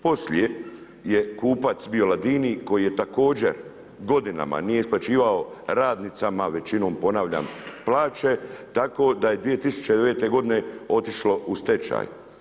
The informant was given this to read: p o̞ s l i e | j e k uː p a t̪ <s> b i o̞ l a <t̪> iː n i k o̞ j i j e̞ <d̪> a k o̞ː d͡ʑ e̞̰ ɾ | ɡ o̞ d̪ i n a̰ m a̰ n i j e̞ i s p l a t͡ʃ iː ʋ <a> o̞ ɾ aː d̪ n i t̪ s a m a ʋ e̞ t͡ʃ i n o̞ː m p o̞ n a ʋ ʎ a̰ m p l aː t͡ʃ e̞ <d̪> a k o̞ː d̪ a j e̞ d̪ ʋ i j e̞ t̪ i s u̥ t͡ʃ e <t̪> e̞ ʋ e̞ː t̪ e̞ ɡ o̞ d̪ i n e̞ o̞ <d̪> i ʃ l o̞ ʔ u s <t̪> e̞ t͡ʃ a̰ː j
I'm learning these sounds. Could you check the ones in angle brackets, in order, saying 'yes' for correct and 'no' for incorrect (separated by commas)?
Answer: yes, no, no, yes, no, no, no, yes